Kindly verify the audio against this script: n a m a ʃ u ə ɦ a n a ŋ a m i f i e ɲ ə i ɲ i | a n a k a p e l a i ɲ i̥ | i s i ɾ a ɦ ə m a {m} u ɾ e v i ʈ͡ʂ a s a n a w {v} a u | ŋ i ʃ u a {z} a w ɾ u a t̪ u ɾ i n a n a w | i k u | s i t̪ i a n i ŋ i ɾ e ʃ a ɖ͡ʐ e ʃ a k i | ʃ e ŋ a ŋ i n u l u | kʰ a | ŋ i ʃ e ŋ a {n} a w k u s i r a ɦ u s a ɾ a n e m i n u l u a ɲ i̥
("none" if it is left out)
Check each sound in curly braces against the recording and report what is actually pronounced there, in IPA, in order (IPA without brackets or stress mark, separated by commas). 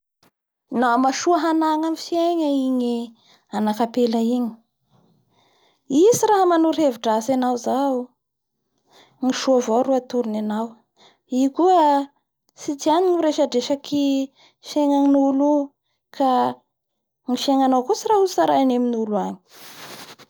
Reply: n, z, v, n